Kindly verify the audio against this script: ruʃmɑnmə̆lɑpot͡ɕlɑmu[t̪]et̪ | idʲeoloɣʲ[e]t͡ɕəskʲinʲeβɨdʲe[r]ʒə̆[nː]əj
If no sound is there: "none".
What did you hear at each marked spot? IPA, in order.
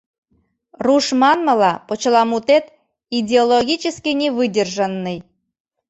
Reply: t̪, i, r, nː

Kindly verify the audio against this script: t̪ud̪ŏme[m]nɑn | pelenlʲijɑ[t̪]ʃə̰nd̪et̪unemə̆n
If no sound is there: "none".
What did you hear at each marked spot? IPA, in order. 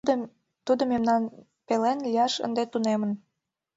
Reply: m, none

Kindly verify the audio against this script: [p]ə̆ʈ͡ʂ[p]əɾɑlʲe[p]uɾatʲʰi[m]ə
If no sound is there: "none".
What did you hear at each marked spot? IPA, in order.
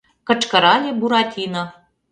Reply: k, k, b, n

